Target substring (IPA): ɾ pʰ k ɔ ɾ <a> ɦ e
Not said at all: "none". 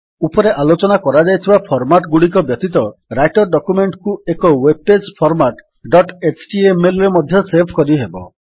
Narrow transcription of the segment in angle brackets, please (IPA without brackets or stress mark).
i